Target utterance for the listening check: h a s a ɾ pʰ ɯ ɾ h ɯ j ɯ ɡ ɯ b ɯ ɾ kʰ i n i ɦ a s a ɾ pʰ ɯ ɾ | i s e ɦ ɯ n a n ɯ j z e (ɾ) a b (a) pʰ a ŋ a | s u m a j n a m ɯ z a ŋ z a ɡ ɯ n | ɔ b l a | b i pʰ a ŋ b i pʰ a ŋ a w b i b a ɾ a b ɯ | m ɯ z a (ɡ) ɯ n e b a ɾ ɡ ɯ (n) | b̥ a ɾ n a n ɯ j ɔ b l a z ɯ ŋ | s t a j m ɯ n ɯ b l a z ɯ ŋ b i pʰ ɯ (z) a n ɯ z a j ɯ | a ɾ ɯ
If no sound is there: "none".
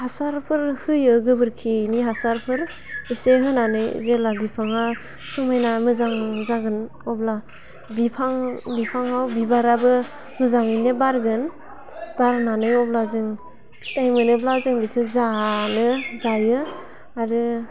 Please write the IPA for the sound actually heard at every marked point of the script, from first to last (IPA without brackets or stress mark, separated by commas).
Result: l, i, ŋ, n, z